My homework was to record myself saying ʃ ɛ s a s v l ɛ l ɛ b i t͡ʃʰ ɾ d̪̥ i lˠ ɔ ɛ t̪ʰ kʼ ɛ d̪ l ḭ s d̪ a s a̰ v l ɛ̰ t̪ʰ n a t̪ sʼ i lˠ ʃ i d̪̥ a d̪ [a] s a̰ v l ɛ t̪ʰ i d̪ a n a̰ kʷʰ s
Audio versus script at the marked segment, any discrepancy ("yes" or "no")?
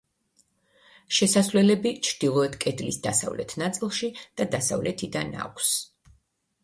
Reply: no